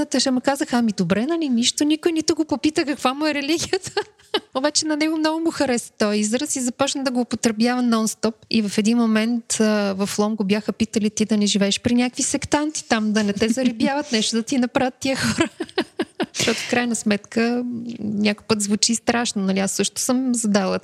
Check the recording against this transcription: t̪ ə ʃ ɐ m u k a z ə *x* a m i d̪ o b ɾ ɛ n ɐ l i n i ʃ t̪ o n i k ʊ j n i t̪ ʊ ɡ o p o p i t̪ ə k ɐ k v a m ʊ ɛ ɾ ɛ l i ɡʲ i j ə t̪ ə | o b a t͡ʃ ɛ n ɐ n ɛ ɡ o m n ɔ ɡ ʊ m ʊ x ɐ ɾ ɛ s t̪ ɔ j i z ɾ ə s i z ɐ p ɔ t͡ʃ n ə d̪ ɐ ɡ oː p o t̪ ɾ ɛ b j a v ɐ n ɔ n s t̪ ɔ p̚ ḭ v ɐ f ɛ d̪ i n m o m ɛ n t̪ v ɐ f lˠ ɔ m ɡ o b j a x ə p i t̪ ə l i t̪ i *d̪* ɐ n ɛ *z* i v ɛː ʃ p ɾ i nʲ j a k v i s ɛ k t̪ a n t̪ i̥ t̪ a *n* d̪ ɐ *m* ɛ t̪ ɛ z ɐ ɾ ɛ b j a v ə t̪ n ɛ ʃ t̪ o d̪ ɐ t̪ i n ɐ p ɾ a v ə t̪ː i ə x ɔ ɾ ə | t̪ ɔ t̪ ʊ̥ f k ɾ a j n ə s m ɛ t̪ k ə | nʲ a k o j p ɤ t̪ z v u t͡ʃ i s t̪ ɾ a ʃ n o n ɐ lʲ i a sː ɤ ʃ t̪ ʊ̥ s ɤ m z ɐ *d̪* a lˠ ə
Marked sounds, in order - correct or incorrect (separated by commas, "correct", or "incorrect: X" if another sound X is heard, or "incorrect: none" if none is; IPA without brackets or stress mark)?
correct, correct, incorrect: ʒ, incorrect: m, incorrect: n, correct